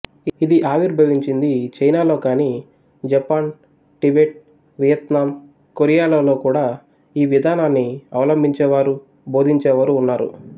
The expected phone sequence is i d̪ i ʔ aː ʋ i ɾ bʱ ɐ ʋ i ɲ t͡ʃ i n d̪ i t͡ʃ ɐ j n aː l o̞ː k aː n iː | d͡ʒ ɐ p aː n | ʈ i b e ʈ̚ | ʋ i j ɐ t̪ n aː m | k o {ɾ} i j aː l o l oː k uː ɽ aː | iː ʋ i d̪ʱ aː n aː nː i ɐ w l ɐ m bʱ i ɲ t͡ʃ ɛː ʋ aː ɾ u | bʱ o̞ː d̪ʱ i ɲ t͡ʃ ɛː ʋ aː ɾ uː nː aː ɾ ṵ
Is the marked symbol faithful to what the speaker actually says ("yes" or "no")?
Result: yes